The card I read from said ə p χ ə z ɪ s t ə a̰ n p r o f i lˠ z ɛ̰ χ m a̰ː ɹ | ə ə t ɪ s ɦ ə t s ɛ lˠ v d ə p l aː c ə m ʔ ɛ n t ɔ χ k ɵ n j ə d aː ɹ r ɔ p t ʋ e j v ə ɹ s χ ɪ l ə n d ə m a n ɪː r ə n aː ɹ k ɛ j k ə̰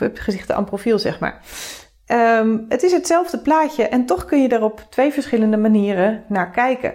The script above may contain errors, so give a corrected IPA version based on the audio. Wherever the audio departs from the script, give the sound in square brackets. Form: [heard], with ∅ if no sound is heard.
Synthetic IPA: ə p χ ə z ɪ [χ] t ə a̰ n p r o f i lˠ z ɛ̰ χ m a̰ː ɹ | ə ə t ɪ s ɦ ə t s ɛ lˠ v d ə p l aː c ə [∅] ʔ ɛ n t ɔ χ k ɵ n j ə d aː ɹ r ɔ p t ʋ e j v ə ɹ s χ ɪ l ə n d ə m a n [iː] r ə n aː ɹ k ɛ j k ə̰